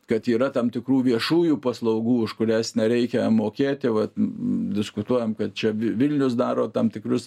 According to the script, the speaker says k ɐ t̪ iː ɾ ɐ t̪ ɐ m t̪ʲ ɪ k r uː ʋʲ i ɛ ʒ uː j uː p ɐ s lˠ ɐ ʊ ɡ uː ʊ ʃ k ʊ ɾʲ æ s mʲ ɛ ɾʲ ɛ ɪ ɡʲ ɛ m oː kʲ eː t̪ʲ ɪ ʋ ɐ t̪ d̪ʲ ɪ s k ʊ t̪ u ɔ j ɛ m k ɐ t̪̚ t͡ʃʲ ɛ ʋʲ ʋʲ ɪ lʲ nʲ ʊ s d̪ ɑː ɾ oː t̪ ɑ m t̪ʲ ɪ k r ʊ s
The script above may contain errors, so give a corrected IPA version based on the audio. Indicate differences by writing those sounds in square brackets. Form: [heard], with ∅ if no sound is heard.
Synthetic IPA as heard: k ɐ t̪ iː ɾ ɐ t̪ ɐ m t̪ʲ ɪ k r uː ʋʲ i ɛ [ʃ] uː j uː p ɐ s lˠ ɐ ʊ ɡ uː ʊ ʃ k ʊ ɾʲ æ s [nʲ] ɛ ɾʲ ɛ ɪ [kʲ] ɛ m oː kʲ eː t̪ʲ ɪ ʋ ɐ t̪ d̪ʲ ɪ s k ʊ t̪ u ɔ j ɛ m k ɐ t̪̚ t͡ʃʲ ɛ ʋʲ ʋʲ ɪ lʲ nʲ ʊ s d̪ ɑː ɾ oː t̪ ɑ m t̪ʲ ɪ k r ʊ s